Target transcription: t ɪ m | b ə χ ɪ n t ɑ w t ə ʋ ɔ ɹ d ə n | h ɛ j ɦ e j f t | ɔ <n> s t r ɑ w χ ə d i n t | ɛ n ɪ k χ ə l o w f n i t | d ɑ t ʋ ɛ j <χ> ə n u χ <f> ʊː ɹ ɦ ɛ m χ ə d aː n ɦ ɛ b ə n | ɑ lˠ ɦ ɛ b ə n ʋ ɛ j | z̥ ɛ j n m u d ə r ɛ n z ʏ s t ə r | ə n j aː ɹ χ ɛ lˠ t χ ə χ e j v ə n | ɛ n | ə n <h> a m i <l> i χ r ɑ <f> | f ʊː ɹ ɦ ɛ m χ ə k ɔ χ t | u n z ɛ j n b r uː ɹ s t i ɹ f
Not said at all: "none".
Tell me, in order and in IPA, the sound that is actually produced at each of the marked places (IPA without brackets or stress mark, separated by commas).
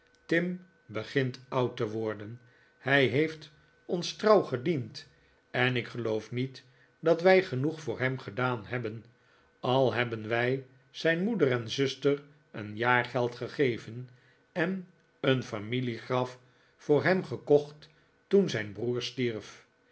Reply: n, χ, f, f, l, f